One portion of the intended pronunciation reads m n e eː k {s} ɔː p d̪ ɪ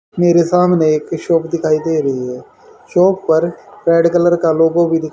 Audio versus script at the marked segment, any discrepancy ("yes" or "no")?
yes